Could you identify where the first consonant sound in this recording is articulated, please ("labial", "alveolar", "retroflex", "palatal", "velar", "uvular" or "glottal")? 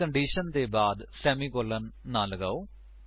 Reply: retroflex